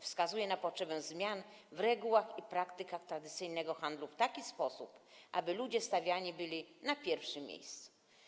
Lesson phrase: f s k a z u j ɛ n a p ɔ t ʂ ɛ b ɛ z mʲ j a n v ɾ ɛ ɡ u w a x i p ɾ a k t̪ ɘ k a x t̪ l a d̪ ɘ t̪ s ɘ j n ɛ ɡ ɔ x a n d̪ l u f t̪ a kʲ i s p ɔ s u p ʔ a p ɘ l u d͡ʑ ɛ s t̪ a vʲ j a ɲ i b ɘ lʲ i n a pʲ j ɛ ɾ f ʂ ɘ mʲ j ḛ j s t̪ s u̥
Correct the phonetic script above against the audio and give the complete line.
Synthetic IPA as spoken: f s k a z u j ɛ n a p ɔ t ʂ ɛ b ɛ z mʲ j a n v ɾ ɛ ɡ u w a x i p ɾ a k t̪ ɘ k a x t̪ ɾ a d̪ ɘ t̪ s ɘ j n ɛ ɡ ɔ x a n d̪ l u f t̪ a kʲ i s p ɔ s u p ʔ a b ɘ l u d͡ʑ ɛ s t̪ a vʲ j a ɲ i b ɘ lʲ i n a pʲ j ɛ ɾ f ʂ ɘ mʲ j ḛ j s t̪ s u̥